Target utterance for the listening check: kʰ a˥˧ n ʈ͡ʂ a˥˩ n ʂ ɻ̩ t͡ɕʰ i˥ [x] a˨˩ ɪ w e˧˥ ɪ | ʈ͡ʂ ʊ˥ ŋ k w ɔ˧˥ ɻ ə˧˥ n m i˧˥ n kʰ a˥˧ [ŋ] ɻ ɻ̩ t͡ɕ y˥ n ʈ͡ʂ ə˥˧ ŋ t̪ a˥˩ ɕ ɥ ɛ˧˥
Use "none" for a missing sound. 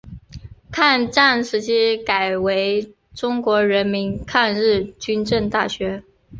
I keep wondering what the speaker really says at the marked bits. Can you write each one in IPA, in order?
k, n

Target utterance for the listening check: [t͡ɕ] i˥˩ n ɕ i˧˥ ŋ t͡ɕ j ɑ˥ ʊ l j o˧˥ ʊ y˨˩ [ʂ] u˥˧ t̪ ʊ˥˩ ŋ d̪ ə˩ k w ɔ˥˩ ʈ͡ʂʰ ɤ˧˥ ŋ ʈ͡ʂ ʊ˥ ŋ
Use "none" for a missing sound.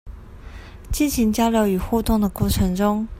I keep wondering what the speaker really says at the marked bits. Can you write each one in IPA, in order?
t͡ɕ, x

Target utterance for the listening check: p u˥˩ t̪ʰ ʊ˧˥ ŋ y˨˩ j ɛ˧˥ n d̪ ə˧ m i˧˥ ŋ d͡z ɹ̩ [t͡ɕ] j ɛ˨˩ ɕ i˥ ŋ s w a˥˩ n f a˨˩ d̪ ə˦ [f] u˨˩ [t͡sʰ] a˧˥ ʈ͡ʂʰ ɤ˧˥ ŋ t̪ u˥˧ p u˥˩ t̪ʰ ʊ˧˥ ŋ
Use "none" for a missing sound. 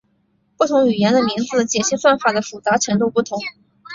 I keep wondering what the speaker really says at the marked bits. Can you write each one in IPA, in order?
t͡ɕ, f, t͡s

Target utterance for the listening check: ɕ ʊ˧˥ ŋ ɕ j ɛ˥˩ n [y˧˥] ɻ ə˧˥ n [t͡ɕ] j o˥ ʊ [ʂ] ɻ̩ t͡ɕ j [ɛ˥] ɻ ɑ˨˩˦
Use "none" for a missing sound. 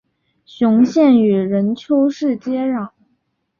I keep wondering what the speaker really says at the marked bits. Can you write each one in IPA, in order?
y˨˩, t͡ɕʰ, ʂ, ɛ˥

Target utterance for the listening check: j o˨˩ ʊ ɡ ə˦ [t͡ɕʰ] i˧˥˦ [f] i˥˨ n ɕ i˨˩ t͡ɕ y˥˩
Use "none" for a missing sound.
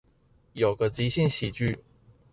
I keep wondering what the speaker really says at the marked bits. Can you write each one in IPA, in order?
t͡ɕ, ɕ

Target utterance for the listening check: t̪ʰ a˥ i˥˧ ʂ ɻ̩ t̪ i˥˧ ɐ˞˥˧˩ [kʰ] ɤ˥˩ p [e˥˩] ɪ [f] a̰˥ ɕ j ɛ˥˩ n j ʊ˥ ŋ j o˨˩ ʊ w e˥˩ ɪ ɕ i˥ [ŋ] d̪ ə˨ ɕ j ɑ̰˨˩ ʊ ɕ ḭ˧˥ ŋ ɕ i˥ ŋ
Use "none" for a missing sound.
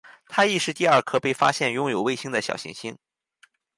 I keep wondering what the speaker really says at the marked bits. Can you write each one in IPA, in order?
kʰ, e˥˩, f, ŋ

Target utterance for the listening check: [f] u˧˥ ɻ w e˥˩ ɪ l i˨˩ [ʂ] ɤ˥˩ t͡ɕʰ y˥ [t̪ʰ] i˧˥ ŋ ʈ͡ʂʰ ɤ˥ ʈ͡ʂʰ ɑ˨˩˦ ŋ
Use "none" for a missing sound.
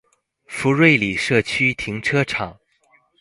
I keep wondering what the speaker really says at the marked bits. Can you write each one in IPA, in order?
f, ʂ, t̪ʰ

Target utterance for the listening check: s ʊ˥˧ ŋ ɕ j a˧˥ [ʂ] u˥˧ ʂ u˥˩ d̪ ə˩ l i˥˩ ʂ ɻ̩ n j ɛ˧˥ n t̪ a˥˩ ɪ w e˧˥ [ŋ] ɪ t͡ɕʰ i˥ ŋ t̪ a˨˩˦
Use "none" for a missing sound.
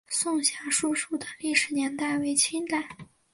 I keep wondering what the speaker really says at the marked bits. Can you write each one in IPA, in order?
ʂ, none

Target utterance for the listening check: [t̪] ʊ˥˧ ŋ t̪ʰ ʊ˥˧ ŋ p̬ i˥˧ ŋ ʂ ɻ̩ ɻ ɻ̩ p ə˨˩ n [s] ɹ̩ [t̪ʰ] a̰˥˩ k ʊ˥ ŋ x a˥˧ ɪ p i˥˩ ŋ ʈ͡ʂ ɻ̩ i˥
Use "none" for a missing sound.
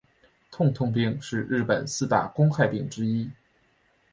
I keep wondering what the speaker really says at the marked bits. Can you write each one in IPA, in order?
t̪ʰ, s, t̪

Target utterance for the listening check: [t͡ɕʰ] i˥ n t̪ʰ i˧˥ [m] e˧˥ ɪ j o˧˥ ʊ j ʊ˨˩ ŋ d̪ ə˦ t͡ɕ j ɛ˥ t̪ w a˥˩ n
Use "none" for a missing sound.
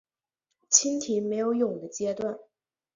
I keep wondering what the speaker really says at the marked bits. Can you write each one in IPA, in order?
t͡ɕʰ, m

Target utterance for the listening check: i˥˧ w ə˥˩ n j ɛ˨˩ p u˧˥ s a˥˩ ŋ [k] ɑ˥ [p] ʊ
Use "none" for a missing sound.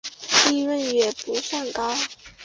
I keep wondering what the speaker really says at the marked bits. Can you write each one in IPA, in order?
k, none

